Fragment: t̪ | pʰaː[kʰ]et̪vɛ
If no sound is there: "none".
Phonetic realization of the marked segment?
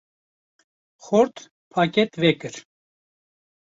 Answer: k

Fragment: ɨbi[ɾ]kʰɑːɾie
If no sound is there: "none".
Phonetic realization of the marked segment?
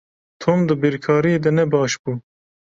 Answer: ɾ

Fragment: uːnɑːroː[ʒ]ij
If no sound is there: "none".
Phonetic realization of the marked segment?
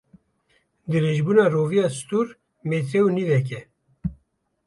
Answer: v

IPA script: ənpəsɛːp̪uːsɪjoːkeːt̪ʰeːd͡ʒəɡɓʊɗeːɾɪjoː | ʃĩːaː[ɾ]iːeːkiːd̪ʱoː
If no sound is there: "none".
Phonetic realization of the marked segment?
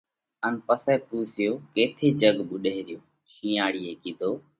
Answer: ɽ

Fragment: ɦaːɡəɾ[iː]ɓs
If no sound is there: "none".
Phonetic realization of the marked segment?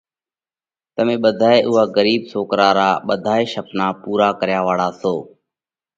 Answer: iː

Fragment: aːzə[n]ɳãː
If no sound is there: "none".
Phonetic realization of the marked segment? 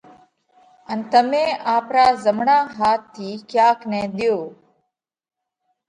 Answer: m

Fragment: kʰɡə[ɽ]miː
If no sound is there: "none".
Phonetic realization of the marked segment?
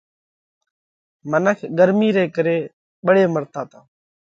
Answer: ɾ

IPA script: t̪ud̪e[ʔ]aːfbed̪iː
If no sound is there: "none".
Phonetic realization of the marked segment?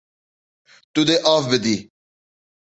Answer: ʔ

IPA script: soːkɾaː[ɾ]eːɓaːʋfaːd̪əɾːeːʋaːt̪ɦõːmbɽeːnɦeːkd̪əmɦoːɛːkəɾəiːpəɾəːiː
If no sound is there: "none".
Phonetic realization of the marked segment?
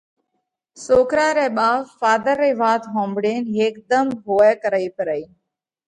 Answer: ɾ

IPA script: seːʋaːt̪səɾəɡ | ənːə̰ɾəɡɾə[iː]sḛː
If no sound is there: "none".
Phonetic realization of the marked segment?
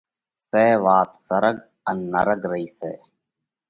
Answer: iː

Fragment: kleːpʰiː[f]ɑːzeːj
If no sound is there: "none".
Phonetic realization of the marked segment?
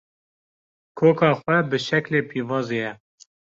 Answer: v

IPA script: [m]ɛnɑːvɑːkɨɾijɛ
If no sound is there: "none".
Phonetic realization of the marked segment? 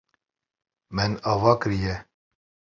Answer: m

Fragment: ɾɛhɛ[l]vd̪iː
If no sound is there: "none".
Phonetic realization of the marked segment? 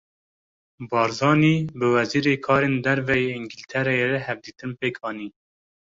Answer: none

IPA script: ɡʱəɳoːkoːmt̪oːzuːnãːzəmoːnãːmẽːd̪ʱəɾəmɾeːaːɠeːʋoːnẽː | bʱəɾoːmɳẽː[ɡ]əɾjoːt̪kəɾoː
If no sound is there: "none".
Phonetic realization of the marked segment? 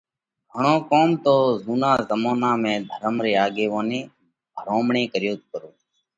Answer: k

